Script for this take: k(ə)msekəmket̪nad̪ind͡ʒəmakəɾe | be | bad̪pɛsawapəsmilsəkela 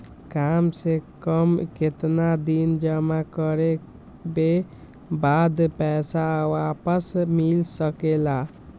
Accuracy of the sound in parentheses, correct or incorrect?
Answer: incorrect: a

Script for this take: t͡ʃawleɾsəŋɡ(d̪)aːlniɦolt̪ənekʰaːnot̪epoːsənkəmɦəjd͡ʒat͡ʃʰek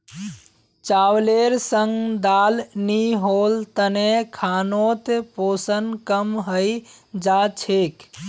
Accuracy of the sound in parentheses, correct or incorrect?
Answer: correct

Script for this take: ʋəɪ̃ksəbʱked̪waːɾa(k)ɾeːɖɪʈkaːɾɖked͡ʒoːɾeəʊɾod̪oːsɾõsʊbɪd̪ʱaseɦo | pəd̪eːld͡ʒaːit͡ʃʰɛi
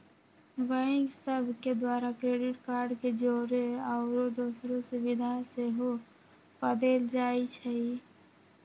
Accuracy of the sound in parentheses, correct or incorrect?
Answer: correct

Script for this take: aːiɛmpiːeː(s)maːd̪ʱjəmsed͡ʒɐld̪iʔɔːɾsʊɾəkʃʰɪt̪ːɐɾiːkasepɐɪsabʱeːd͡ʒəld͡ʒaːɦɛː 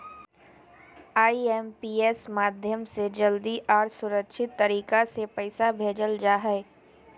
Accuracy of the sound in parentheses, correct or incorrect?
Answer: correct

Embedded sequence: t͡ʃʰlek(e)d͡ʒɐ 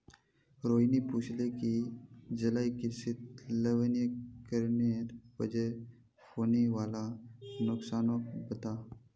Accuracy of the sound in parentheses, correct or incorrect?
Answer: incorrect: i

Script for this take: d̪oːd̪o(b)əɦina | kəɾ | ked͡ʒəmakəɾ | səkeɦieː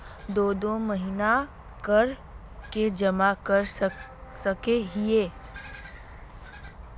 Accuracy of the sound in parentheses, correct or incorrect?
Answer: incorrect: m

